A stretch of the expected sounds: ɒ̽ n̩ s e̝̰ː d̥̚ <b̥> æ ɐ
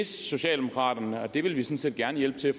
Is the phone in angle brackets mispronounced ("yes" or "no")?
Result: yes